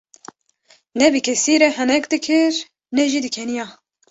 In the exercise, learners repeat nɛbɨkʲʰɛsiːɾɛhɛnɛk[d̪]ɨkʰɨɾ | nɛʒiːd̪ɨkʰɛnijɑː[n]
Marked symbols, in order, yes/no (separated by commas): yes, no